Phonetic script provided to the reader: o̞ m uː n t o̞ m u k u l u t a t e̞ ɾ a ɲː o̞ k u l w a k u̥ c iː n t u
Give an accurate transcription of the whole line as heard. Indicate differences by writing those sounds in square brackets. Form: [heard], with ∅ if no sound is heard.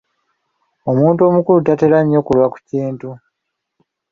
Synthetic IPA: o̞ m uː n t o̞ m u k u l u t a t e̞ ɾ a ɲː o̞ k u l w a k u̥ c iː n t u